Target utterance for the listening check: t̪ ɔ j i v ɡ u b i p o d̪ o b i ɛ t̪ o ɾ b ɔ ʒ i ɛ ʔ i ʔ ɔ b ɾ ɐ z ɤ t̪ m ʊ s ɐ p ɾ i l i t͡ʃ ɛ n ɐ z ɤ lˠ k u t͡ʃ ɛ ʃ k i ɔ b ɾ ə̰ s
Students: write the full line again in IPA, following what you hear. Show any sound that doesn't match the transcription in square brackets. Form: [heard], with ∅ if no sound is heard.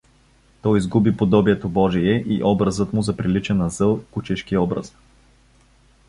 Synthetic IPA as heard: t̪ ɔ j i [z] ɡ u b i p o d̪ [ɔ] b i ɛ t̪ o [∅] b ɔ ʒ i ɛ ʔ i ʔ ɔ b ɾ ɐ z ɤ t̪ m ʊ [z] ɐ p ɾ i l i t͡ʃ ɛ n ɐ z ɤ lˠ k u t͡ʃ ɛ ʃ k i ɔ b ɾ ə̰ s